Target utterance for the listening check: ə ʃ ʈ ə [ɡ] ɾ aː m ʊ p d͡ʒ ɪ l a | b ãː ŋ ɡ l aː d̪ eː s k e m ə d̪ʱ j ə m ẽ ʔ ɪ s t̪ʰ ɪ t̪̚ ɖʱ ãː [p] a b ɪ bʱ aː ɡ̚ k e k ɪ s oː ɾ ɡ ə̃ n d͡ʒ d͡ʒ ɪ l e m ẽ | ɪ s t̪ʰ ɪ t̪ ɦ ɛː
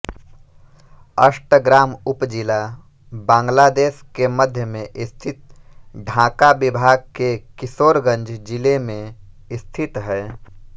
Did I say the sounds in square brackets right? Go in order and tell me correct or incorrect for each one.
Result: correct, incorrect: k

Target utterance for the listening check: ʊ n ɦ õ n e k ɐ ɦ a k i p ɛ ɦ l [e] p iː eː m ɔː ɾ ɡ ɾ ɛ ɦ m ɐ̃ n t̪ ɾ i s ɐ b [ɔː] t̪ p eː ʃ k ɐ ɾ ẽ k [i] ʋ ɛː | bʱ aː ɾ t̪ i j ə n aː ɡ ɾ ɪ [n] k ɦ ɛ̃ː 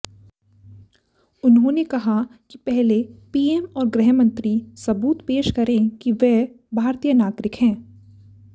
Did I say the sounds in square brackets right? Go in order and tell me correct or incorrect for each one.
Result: correct, incorrect: uː, correct, incorrect: none

